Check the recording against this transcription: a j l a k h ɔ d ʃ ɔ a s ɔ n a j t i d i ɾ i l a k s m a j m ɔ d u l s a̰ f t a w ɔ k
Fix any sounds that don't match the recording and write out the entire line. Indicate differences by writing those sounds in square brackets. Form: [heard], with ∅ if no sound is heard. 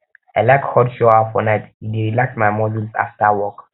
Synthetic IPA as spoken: a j l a k h ɔ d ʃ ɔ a [f] ɔ n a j t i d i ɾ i l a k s m a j m ɔ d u l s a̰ f t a w ɔ k